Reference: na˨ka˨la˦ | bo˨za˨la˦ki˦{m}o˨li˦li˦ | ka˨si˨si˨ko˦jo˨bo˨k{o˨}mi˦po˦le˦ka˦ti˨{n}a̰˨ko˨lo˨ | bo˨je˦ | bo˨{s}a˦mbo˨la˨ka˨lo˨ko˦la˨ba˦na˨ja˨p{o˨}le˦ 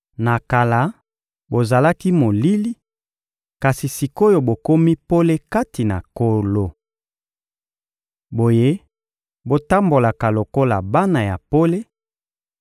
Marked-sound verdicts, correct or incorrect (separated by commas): correct, incorrect, correct, incorrect, incorrect